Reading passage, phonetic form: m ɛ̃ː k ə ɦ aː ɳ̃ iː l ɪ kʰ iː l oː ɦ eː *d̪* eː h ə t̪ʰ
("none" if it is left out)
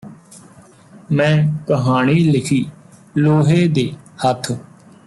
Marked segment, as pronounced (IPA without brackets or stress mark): d̪